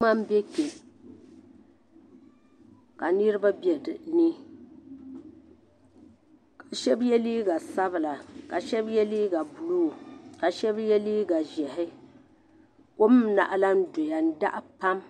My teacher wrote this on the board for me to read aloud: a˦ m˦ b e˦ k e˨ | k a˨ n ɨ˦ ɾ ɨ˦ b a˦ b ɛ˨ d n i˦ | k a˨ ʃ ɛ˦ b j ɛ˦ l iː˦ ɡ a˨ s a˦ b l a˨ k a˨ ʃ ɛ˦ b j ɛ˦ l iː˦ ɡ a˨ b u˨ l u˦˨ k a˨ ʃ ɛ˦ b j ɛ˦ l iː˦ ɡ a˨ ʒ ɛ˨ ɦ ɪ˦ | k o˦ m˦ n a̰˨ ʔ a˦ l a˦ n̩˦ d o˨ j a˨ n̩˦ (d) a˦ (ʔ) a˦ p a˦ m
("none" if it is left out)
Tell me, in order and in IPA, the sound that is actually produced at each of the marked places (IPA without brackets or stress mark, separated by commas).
d, ʔ